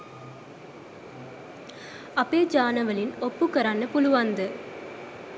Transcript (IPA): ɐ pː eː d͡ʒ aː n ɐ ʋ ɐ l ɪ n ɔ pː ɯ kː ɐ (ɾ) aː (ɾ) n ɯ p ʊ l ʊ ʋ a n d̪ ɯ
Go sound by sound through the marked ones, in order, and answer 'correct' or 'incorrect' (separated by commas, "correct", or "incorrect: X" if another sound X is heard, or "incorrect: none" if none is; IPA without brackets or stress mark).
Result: correct, incorrect: none